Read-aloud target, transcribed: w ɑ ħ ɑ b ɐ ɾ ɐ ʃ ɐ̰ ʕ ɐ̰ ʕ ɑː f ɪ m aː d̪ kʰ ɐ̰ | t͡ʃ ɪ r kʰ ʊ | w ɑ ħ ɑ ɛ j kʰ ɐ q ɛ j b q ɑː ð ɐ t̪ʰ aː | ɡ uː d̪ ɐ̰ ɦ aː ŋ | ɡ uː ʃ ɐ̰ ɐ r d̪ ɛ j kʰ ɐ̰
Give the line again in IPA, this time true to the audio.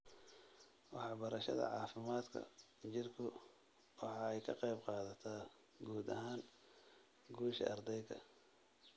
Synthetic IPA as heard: w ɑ ħ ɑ b ɐ ɾ ɐ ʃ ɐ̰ ð ɐ̰ ʕ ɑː f ɪ m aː d̪ kʰ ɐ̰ | t͡ʃ ɪ r kʰ ʊ | w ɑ ħ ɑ ɛ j kʰ ɐ q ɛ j b q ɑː ð ɐ t̪ʰ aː | ɡ uː d̪ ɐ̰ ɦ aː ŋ | ɡ uː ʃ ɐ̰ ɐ r d̪ ɛ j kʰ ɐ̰

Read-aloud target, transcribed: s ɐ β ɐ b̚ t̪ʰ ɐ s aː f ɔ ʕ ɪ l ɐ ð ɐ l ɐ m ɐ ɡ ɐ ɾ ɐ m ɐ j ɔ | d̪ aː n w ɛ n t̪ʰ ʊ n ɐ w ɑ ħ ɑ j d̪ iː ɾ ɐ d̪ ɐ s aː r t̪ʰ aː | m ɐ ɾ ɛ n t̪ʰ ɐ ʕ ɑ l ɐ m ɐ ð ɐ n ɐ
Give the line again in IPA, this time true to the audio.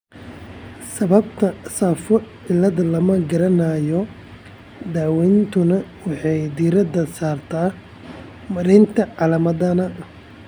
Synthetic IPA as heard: s ɐ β ɐ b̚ t̪ʰ ɐ s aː f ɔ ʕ ɪ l ɐ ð ɐ l ɐ m ɐ ɡ ɐ ɾ ɐ n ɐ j ɔ | d̪ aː w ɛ n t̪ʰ ʊ n ɐ w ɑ ħ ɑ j d̪ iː ɾ ɐ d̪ ɐ s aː r t̪ʰ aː | m ɐ ɾ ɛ n t̪ʰ ɐ ʕ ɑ l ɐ m ɐ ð ɐ n ɐ

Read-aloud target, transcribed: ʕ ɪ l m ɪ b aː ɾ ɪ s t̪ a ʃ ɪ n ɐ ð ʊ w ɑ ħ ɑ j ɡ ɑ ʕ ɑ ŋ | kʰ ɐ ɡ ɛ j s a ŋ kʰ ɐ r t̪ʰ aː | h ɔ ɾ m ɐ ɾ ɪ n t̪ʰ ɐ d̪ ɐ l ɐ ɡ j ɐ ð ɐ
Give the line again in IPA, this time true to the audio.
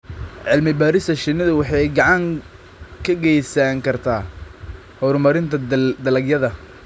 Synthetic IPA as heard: ʕ ɪ l m ɪ b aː ɾ ɪ s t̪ ɐ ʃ ɪ n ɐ ð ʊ w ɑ ħ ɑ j ɡ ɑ ʕ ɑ ŋ | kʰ ɐ ɡ ɛ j s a ŋ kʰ ɐ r t̪ʰ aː | h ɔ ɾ m ɐ ɾ ɪ n t̪ʰ ɐ d̪ ɐ l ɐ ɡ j ɐ ð ɐ

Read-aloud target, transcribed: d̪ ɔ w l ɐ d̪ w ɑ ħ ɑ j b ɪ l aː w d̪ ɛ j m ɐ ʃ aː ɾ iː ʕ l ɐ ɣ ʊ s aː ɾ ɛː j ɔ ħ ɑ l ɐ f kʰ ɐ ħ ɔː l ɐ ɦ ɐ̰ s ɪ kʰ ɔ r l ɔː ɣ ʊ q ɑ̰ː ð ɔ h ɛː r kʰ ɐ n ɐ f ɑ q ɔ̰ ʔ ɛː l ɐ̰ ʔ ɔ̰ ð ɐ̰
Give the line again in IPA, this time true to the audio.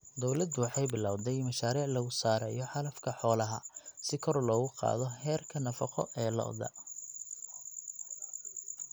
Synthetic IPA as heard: d̪ ɔ w l ɐ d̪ w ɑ ħ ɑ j b ɪ l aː w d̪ ɛ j m ɐ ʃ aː ɾ iː ʕ l ɐ ɣ ʊ s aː ɾ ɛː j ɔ ħ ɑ l ɐ f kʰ ɐ ħ ɔː l ɐ ɦ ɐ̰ s ɪ kʰ ɔ r l ɔː ɣ ʊ q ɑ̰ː ð ɔ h ɛː r kʰ ɐ n ɐ f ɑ q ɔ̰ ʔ ɛː l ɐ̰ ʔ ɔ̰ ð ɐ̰

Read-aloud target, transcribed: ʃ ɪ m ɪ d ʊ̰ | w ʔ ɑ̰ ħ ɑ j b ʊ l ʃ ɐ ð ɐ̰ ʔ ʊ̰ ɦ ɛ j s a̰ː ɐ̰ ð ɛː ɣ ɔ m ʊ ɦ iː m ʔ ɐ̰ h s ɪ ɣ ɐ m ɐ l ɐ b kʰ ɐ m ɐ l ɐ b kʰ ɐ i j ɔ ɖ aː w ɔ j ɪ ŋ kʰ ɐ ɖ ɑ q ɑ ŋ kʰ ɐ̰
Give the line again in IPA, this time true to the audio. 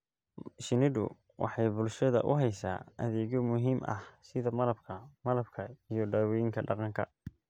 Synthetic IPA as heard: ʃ ɪ n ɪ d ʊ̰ | w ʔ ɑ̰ ħ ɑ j b ʊ l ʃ ɐ ð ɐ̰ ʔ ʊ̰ ɦ ɛ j s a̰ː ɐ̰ ð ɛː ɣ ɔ m ʊ ɦ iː m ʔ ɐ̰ h s ɪ ð ɐ m ɐ l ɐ b kʰ ɐ m ɐ l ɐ b kʰ ɐ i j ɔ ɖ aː w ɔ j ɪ ŋ kʰ ɐ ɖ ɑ q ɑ ŋ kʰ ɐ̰

